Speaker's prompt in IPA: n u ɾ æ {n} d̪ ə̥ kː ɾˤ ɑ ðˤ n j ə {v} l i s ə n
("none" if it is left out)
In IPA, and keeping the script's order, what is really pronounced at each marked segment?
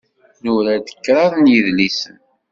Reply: none, ð

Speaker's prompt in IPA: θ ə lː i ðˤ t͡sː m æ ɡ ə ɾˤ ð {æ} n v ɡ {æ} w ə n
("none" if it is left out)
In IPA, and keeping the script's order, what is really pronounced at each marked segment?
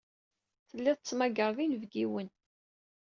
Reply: i, i

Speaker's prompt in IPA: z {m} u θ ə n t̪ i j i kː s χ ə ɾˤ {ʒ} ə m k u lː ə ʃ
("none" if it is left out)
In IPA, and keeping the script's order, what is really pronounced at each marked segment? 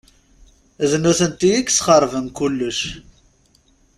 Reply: n, v

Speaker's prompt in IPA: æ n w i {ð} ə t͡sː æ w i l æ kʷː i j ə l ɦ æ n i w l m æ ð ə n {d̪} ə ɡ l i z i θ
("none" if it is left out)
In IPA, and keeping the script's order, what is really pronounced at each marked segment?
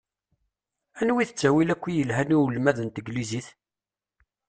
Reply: θ, t̪

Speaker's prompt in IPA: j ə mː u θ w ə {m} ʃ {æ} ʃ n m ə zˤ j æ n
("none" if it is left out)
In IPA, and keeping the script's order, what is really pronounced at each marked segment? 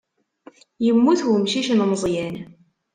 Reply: m, i

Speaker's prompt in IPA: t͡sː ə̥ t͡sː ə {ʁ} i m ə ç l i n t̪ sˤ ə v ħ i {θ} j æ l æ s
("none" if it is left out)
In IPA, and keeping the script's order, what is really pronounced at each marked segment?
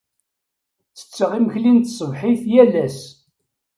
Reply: ʁ, θ

